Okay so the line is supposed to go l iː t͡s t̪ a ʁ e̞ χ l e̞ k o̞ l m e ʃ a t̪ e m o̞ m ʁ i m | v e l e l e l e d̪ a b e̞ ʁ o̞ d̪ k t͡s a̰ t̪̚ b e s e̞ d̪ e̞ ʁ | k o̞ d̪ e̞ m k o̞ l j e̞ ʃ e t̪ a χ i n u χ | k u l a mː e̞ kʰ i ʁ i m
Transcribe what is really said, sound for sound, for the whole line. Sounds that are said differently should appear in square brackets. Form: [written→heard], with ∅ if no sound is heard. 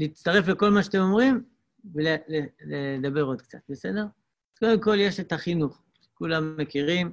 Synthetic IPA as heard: l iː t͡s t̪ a ʁ e̞ [χ→f] l e̞ k o̞ l m [e→a] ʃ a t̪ e m o̞ m ʁ i m | v e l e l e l e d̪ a b e̞ ʁ o̞ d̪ k t͡s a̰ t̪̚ b e s e̞ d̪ e̞ ʁ | k o̞ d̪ e̞ m k o̞ l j e̞ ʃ e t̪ a χ i n u χ | k u l a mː e̞ [kʰ→k] i ʁ i m